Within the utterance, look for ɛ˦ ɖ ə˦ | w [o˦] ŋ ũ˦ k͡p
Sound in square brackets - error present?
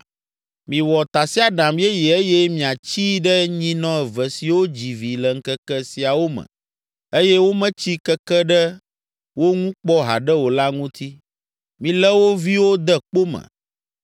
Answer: no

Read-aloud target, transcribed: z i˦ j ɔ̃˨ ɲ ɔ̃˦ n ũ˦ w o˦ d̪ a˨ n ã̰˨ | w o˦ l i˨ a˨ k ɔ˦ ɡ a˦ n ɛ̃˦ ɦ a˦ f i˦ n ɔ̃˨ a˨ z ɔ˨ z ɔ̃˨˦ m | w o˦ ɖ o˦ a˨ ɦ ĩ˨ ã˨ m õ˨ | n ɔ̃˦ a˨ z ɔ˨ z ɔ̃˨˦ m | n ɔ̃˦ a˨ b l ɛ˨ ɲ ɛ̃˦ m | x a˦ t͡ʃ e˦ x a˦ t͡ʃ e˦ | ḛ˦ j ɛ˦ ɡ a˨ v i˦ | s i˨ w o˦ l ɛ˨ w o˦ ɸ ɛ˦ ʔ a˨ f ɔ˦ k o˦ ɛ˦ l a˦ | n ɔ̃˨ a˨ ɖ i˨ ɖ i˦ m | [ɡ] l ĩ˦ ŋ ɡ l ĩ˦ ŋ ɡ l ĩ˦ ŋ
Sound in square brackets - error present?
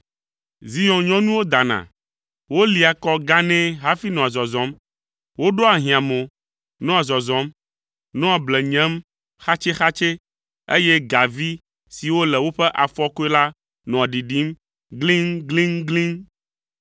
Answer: no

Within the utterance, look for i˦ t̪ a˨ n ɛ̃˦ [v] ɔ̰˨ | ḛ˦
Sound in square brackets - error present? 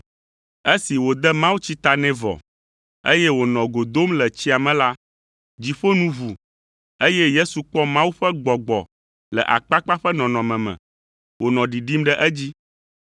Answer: no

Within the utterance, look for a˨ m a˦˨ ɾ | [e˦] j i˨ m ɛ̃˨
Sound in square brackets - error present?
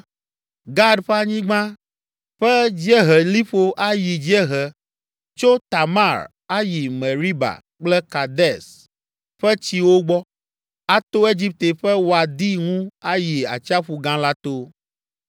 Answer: yes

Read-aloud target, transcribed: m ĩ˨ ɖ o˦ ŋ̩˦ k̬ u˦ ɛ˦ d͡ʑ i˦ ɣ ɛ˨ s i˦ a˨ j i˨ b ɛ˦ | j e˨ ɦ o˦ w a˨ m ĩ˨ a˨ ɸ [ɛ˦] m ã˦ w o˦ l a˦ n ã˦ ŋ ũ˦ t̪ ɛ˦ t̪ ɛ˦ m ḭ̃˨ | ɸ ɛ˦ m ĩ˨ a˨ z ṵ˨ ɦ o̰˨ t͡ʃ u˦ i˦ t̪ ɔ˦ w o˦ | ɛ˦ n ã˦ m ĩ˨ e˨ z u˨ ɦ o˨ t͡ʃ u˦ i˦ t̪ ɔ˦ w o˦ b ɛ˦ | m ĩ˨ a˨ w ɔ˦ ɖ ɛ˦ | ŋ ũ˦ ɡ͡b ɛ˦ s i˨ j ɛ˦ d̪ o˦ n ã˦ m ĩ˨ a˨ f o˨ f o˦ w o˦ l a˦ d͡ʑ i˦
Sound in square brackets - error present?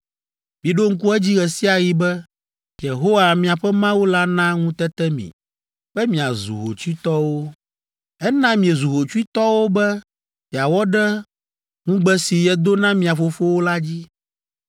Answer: no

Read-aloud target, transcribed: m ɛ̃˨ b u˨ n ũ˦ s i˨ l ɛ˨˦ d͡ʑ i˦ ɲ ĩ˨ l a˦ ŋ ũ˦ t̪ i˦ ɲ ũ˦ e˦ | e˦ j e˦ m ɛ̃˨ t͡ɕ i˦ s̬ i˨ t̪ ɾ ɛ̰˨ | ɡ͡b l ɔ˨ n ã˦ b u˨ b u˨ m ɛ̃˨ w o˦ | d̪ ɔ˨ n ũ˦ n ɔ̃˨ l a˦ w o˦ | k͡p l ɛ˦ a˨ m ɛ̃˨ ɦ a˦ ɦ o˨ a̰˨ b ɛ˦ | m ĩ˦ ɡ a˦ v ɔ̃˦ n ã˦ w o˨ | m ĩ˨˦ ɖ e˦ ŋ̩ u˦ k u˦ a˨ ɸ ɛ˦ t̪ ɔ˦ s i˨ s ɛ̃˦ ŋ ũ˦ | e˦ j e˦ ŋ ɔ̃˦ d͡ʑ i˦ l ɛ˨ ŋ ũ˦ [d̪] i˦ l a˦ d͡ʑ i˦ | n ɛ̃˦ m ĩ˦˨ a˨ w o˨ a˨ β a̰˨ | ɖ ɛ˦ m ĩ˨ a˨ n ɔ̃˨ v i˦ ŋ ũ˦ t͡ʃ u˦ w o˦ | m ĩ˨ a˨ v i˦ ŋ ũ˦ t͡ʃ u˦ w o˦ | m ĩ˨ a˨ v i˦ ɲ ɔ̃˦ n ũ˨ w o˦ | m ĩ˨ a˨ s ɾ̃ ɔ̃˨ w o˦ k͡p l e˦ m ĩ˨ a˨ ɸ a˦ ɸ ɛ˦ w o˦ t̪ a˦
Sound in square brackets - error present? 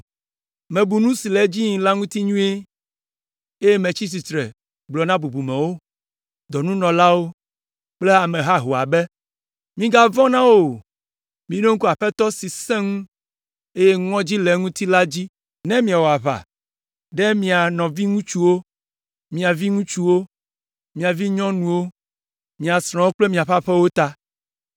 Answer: yes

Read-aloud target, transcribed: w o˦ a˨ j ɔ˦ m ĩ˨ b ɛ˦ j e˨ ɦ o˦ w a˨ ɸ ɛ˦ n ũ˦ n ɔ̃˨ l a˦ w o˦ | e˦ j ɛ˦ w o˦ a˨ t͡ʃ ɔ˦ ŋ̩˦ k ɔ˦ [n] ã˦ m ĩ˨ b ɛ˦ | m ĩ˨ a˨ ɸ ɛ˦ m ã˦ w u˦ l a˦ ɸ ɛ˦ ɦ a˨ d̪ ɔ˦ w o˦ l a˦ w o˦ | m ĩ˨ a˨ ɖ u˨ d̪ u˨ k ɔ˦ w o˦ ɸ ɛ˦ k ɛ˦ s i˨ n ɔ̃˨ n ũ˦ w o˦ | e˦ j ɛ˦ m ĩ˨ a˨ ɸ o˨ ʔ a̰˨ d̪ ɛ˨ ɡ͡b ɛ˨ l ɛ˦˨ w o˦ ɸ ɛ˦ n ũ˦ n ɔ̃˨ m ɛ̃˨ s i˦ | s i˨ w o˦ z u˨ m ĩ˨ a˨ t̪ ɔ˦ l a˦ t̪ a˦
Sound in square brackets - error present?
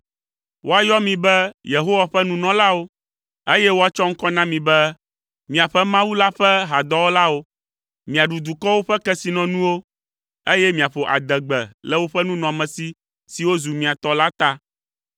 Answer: no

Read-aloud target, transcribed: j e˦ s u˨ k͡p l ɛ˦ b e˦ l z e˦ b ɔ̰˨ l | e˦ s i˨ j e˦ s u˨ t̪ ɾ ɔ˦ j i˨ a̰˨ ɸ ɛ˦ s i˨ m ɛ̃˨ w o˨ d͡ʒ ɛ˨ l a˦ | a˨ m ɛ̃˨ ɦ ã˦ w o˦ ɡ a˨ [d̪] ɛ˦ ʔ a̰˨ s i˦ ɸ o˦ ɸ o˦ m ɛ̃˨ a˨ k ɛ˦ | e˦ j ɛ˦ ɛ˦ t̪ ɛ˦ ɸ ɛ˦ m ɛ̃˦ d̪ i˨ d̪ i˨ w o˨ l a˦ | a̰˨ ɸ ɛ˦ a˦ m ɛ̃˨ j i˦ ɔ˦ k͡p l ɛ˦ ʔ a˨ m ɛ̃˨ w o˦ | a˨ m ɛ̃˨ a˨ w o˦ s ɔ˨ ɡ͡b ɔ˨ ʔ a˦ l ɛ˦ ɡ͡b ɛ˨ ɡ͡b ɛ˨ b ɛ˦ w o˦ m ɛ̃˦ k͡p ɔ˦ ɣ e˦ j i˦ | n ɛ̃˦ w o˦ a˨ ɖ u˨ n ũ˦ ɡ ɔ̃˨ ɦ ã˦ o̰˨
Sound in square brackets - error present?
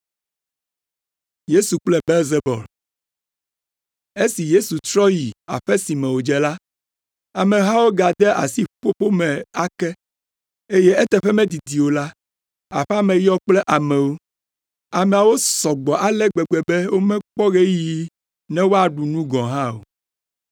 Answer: no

